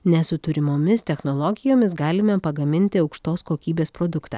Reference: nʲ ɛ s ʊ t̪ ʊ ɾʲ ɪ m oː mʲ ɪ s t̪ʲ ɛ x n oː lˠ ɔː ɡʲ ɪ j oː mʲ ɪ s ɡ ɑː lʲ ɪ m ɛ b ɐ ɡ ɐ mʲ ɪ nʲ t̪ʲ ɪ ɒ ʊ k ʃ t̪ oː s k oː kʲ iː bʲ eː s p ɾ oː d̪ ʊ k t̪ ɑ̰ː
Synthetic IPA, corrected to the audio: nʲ ɛ s ʊ t̪ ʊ ɾʲ ɪ m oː mʲ ɪ s t̪ʲ ɛ x n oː lˠ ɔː ɡʲ ɪ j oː mʲ ɪ s ɡ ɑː lʲ ɪ m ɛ p ɐ ɡ ɐ mʲ ɪ nʲ t̪ʲ ɪ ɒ ʊ k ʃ t̪ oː s k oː kʲ iː bʲ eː s p ɾ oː d̪ ʊ k t̪ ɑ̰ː

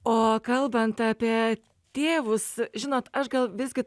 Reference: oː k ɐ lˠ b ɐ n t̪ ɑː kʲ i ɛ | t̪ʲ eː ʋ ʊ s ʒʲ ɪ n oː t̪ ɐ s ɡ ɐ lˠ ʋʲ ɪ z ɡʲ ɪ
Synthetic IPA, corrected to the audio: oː k ɐ lˠ b ɐ n t̪ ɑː pʲ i ɛ | t̪ʲ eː ʋ ʊ s ʒʲ ɪ n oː t̪ ɐ ʃ ɡ ɐ lˠ ʋʲ ɪ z ɡʲ ɪ

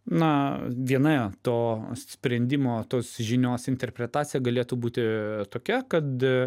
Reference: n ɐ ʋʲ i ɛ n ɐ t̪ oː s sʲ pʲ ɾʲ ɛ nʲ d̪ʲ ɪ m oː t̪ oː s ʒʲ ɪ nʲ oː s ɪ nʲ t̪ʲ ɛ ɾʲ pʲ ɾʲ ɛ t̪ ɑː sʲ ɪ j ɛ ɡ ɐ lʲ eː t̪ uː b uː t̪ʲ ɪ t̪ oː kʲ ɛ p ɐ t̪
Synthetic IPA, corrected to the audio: n ɐ ʋʲ i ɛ n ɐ t̪ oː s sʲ pʲ ɾʲ ɛ nʲ d̪ʲ ɪ m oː t̪ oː s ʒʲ ɪ nʲ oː s ɪ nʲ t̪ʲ ɛ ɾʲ pʲ ɾʲ ɛ t̪ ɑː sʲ ɪ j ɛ ɡ ɐ lʲ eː t̪ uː b uː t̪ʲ ɪ t̪ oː kʲ ɛ k ɐ t̪

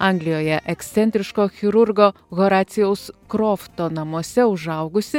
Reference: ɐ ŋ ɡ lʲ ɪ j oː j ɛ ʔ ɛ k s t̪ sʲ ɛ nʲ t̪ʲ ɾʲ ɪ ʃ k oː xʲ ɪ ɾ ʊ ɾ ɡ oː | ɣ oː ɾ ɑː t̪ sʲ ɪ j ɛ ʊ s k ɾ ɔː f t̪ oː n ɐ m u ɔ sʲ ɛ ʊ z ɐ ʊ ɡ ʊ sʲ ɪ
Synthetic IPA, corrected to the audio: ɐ ŋ ɡ lʲ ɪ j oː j ɛ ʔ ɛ k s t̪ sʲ ɛ nʲ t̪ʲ ɾʲ ɪ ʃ k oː xʲ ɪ ɾ ʊ ɾ ɡ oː | ɣ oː ɾ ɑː t̪ sʲ ɪ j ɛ ʊ s k ɾ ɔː f t̪ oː n ɐ m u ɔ sʲ ɛ ʊ ʒ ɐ ʊ ɡ ʊ sʲ ɪ

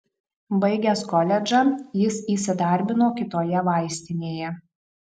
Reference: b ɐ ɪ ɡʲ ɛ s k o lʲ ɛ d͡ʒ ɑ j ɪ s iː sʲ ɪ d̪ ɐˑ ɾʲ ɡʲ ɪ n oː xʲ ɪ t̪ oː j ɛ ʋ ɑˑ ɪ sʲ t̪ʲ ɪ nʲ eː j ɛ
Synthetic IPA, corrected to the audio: b ɐ ɪ ɡʲ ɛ s k ɔ lʲ ɛ d͡ʒ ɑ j ɪ s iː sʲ ɪ d̪ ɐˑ ɾʲ bʲ ɪ n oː kʲ ɪ t̪ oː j ɛ ʋ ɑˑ ɪ sʲ t̪ʲ ɪ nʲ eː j ɛ

